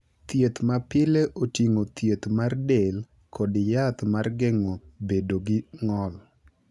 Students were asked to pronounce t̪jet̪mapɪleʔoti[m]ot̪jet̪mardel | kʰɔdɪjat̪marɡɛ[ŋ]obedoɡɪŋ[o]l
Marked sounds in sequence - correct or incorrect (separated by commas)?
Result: incorrect, correct, incorrect